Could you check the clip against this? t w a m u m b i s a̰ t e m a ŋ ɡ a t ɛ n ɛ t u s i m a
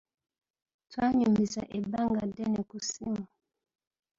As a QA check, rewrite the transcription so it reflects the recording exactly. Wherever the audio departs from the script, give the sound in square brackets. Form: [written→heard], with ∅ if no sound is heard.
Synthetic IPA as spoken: t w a [m→ɲ] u m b i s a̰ [t→ʔ] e [m→b] a ŋ ɡ a [t→d] ɛ n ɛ [t→k] u s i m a

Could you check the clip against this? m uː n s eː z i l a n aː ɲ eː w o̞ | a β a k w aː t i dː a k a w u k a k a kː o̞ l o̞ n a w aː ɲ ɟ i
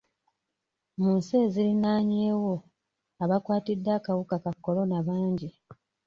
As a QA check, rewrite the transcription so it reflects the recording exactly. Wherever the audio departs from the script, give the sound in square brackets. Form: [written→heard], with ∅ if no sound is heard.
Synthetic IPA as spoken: m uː n s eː z i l [a→i] n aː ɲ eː w o̞ | a β a k w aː t i dː a k a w u k a k a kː o̞ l o̞ n a [w→β] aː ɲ ɟ i

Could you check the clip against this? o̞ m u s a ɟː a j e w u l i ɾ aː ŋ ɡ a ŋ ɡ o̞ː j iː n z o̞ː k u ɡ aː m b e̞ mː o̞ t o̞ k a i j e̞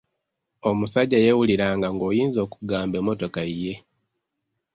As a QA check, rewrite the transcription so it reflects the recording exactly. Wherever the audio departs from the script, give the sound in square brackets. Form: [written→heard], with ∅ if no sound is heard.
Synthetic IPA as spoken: o̞ m u s a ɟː a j e w u l i ɾ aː ŋ ɡ a ŋ ɡ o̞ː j iː n z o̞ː k u ɡ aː m b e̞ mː o̞ t o̞ k a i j e̞

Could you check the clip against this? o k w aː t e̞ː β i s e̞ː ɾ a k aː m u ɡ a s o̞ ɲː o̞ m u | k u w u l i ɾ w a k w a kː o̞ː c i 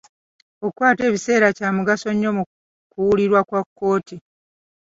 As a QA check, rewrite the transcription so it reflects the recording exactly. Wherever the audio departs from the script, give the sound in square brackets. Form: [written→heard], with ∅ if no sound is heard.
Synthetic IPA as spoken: o k w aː t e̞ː β i s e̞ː ɾ a [k→c] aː m u ɡ a s o̞ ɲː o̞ m u | k u w u l i ɾ w a k w a kː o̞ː [c→t] i

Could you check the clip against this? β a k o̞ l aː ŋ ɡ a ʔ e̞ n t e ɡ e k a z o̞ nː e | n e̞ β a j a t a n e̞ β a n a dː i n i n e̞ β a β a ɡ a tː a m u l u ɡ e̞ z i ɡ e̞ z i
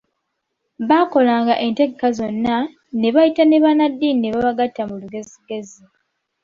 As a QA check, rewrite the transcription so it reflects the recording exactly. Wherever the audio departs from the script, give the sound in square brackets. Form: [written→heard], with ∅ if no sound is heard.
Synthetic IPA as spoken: β a k o̞ l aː ŋ ɡ a ʔ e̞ n t e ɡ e k a z o̞ nː [e→a] | n e̞ β a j [a→i] t a n e̞ β a n a dː i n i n e̞ β a β a ɡ a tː a m u l u ɡ e̞ z i ɡ e̞ z i

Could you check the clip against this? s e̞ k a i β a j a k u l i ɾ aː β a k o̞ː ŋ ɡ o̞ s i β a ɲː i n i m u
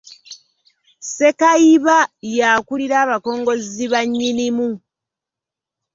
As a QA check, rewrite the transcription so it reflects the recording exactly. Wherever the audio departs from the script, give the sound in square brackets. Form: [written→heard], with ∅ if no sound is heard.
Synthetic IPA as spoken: s e̞ k a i β a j a k u l i ɾ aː β a k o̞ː ŋ ɡ o̞ [s→z] i β a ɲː i n i m u

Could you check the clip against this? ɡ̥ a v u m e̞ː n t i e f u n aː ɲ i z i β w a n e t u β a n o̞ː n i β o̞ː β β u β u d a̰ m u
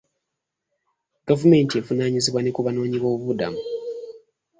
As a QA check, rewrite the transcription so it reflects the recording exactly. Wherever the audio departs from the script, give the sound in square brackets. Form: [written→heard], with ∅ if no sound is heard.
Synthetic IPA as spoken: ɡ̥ a v u m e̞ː n t i e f u n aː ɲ i z i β w a n e [t→k] u β a n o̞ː [n→ɲ] i β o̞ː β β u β u d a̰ m u

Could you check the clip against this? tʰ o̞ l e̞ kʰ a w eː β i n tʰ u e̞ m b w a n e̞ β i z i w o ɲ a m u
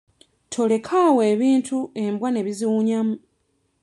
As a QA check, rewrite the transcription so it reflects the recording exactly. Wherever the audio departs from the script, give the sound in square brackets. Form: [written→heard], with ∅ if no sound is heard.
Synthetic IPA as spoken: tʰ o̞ l e̞ kʰ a w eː β [i→iː] n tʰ u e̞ m b w a n e̞ β i z i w [o→u] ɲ a m u

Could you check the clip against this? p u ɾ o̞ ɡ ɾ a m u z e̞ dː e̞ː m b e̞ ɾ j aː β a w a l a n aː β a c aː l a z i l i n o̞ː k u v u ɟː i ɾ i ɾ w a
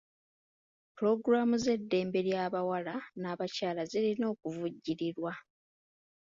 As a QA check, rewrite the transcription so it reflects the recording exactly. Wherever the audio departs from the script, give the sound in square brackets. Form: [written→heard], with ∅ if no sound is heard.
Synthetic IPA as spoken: p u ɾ o̞ ɡ ɾ a m u z e̞ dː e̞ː m b e̞ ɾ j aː β a w a l a n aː β a c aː l a z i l i n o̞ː k u v u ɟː i ɾ i ɾ w a

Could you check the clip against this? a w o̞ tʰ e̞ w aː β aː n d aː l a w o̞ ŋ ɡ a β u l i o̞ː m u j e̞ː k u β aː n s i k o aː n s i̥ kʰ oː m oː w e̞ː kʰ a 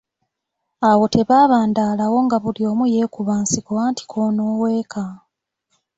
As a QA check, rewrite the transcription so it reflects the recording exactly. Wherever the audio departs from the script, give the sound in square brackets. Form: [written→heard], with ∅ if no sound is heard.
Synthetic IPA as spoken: a w o̞ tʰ e̞ [w→β] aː β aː n d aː l a w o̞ ŋ ɡ a β u l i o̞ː m u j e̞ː k u β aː n s i k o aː n [s→t] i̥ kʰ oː [m→n] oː w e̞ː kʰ a

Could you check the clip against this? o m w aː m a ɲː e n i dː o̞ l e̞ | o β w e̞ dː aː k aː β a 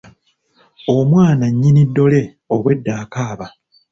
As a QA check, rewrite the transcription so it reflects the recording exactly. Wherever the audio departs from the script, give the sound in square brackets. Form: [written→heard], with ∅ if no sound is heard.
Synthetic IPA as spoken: o m w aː [m→n] a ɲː [e→i] n i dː o̞ l e̞ | o β w e̞ dː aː k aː β a

